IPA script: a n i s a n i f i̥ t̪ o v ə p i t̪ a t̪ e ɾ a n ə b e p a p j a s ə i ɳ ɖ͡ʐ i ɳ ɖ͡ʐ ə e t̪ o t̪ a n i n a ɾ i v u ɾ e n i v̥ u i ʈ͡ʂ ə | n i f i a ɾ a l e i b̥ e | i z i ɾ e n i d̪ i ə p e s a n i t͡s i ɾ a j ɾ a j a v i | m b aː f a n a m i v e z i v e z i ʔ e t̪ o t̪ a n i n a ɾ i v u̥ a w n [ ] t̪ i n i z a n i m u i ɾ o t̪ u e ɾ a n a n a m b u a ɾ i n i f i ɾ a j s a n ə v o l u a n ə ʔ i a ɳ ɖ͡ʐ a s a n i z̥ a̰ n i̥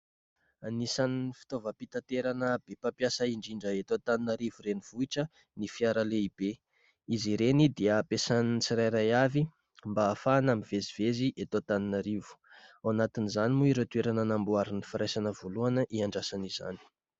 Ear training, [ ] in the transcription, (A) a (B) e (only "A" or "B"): A